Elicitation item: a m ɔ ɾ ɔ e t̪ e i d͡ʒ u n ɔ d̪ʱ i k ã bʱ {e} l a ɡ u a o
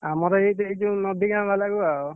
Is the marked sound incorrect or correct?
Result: incorrect